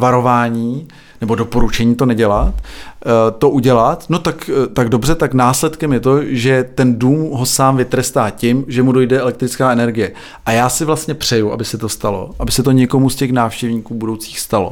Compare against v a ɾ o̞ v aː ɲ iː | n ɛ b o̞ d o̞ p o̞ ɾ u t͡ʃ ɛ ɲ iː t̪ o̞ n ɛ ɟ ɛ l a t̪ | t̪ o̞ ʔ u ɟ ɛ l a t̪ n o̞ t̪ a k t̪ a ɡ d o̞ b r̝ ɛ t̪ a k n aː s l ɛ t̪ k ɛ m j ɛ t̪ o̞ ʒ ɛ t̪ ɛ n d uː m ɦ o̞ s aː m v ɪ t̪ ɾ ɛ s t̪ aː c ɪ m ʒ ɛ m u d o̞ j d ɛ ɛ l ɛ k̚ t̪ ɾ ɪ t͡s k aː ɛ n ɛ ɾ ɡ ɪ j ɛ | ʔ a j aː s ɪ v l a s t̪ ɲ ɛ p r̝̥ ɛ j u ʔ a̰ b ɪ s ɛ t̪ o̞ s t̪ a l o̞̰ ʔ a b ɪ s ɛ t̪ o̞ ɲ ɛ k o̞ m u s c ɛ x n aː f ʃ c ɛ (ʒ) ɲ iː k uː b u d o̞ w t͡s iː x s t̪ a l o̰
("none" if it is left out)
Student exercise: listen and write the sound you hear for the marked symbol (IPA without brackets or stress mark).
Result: v